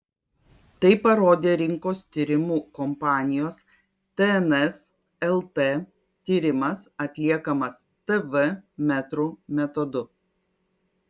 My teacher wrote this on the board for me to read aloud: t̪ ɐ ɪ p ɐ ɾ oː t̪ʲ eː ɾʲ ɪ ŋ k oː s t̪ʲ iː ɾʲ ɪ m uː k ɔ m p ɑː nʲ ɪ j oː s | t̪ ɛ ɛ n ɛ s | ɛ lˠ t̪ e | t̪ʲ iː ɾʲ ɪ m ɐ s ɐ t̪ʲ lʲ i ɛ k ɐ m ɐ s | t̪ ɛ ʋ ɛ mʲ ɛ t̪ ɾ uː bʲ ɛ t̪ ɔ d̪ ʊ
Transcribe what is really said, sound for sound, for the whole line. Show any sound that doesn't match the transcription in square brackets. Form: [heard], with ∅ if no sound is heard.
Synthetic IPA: t̪ ɐ ɪ p ɐ ɾ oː [d̪ʲ] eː ɾʲ ɪ ŋ k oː s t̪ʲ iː ɾʲ ɪ m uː k ɔ m p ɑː nʲ ɪ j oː s | t̪ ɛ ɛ n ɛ s | ɛ lˠ t̪ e | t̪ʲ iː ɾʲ ɪ m ɐ s ɐ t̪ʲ lʲ i ɛ k ɐ m ɐ s | t̪ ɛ ʋ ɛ mʲ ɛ t̪ ɾ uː [mʲ] ɛ t̪ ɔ d̪ ʊ